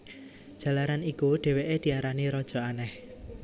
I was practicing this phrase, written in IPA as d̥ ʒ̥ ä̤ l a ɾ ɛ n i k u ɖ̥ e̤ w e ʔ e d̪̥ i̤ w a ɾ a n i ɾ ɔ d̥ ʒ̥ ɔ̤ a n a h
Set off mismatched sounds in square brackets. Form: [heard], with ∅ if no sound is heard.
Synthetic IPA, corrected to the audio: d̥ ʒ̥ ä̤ l a ɾ [a] n i k u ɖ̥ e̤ w e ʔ e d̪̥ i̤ [∅] a ɾ a n i ɾ ɔ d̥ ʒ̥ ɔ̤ a n [ɛ] h